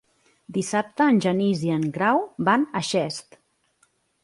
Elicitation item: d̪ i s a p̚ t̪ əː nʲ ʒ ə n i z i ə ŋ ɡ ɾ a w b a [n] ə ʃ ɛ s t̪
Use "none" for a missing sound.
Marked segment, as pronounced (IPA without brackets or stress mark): n